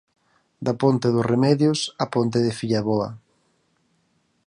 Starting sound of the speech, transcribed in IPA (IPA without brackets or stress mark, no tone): d̪